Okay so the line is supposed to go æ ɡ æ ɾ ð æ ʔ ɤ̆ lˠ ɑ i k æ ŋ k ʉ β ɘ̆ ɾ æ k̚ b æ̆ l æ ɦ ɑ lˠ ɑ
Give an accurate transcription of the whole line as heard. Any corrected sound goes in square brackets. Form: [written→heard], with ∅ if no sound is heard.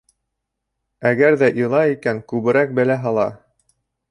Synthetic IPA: æ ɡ æ ɾ ð æ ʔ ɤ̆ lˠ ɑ i k æ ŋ k ʉ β ɘ̆ ɾ æ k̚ b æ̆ l æ ɦ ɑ lˠ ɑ

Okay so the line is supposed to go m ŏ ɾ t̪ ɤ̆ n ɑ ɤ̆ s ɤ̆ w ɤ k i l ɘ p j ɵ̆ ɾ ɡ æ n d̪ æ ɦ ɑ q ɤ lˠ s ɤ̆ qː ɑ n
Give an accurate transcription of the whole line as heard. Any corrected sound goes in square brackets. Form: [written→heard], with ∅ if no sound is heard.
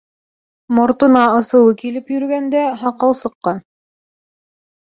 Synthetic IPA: m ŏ ɾ t̪ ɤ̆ n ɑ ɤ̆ s ɤ̆ w ɤ k i l ɘ p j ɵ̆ ɾ ɡ æ n d̪ æ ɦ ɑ q ɤ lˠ s ɤ̆ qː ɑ n

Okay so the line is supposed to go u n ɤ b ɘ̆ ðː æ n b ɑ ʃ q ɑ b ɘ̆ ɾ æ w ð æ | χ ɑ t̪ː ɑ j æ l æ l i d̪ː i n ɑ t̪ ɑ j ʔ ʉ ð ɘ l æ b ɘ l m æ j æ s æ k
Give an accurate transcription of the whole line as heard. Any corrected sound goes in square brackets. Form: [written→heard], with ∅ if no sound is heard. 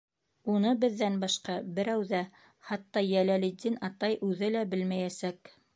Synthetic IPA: u n ɤ b ɘ̆ ðː æ n b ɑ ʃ q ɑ b ɘ̆ ɾ æ w ð æ | χ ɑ t̪ː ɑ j æ l æ l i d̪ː i n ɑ t̪ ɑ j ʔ ʉ ð ɘ l æ b ɘ l m æ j æ s æ k

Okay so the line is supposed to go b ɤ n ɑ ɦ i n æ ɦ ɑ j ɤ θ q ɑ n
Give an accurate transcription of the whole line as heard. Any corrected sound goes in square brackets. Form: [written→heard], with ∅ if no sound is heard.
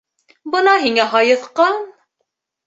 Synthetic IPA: b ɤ n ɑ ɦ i [n→ŋ] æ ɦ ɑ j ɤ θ q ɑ n

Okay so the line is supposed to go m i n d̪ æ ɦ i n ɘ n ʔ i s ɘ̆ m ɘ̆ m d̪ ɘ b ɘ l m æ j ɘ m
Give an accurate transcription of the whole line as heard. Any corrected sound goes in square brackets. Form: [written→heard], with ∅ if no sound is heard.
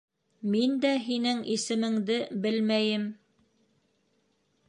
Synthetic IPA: m i n d̪ æ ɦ i n ɘ [n→ŋ] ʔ i s ɘ̆ m ɘ̆ [m→ŋ] d̪ ɘ b ɘ l m æ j ɘ m

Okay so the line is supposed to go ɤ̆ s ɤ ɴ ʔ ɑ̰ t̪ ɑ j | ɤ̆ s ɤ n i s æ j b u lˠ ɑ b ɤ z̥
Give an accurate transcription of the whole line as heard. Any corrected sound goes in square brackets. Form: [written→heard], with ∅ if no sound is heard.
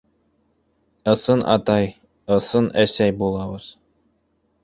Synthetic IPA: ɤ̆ s ɤ [ɴ→n] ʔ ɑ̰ t̪ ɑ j | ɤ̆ s ɤ n [i→æ] s æ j b u lˠ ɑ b ɤ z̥

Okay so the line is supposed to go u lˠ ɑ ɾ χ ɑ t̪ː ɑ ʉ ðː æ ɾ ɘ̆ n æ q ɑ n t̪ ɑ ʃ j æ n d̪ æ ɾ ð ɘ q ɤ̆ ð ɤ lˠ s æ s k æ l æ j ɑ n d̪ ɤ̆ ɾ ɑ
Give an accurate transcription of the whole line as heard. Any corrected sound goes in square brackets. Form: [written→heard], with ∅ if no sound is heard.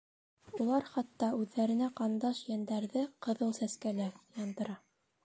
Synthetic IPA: u lˠ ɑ ɾ χ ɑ t̪ː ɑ ʉ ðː æ ɾ ɘ̆ n æ q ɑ n [t̪→d̪] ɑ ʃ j æ n d̪ æ ɾ ð ɘ q ɤ̆ ð ɤ lˠ s æ s k æ l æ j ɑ n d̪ ɤ̆ ɾ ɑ

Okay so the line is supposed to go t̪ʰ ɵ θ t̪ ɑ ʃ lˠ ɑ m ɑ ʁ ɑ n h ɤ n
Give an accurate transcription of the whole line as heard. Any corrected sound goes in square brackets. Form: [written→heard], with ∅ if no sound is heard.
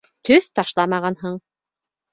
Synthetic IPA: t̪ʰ ɵ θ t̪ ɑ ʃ lˠ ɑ m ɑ ʁ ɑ n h ɤ [n→ɴ]

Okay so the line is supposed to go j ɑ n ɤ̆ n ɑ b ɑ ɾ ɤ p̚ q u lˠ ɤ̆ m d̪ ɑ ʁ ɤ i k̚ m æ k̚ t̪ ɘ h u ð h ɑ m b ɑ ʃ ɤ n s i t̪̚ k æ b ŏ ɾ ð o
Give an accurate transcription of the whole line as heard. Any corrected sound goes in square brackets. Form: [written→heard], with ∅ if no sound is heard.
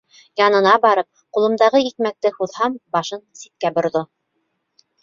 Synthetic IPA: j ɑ n ɤ̆ n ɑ b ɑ ɾ ɤ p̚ q u lˠ ɤ̆ m d̪ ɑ ʁ ɤ i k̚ m æ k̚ t̪ ɘ h u ð h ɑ m b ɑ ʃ ɤ n s i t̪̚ k æ b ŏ ɾ ð o

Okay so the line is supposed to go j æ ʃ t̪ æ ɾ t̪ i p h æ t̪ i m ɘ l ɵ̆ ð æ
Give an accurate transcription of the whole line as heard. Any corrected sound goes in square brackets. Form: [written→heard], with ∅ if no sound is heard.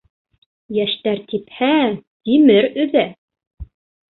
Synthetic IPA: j æ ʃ t̪ æ ɾ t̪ i p h æ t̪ i m ɘ [l→ɾ] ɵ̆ ð æ

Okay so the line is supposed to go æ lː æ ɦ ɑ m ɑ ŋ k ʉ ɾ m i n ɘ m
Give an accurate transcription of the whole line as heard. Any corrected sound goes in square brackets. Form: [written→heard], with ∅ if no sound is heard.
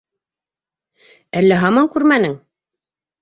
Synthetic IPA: æ lː æ ɦ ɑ m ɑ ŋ k ʉ ɾ m [i→æ] n ɘ [m→ŋ]

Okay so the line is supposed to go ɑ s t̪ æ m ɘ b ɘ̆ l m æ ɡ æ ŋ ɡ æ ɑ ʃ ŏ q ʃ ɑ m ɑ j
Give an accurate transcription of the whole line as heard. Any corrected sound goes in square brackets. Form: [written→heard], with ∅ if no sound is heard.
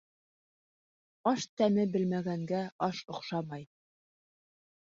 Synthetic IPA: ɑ [s→ʃ] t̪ æ m ɘ b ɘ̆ l m æ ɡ æ ŋ ɡ æ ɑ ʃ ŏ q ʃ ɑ m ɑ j

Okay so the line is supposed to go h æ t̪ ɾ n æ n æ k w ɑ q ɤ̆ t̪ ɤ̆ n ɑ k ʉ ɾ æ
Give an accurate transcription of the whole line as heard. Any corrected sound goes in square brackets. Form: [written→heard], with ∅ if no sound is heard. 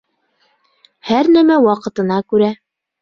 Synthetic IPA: h æ [t̪→∅] ɾ n æ [n→m] æ [k→∅] w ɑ q ɤ̆ t̪ ɤ̆ n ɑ k ʉ ɾ æ

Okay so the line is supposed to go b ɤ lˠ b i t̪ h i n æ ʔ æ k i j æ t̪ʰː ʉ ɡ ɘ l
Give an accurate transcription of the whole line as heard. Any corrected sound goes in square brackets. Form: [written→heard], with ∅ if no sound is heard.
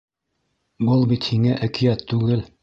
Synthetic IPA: b ɤ lˠ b i t̪ h i [n→ŋ] æ ʔ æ k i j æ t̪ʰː ʉ ɡ ɘ l

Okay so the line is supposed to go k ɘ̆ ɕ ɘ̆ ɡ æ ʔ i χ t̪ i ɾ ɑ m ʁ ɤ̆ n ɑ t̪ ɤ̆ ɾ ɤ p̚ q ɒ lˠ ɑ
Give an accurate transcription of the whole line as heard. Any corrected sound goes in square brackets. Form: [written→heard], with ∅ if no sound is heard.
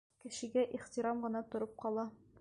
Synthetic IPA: k ɘ̆ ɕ ɘ̆ ɡ æ ʔ i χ t̪ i ɾ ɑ m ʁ ɤ̆ n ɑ t̪ [ɤ̆→ŏ] ɾ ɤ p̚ q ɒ lˠ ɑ

